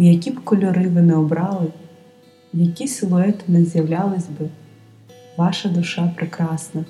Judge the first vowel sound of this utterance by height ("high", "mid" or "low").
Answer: low